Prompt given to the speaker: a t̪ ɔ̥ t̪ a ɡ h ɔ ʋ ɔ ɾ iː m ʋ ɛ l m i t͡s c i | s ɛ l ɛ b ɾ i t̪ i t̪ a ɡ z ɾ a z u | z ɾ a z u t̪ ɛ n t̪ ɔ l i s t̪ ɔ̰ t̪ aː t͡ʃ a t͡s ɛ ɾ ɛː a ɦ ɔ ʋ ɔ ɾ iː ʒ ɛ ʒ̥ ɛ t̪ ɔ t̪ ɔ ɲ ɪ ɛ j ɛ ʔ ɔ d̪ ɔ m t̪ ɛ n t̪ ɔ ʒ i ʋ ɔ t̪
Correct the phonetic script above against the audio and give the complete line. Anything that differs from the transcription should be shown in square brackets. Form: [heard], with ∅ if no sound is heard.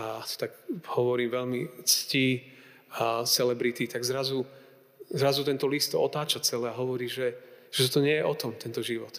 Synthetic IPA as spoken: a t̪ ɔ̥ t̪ a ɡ h ɔ ʋ ɔ ɾ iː m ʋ ɛ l m i t͡s c i | s ɛ l ɛ b ɾ i t̪ i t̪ a ɡ z ɾ a z u | z ɾ a z u t̪ ɛ n t̪ ɔ l i s t̪ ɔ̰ t̪ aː t͡ʃ a t͡s ɛ [l] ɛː a ɦ ɔ ʋ ɔ ɾ iː ʒ ɛ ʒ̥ ɛ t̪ ɔ t̪ ɔ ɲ ɪ ɛ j ɛ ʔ ɔ [t̪] ɔ m t̪ ɛ n t̪ ɔ ʒ i ʋ ɔ t̪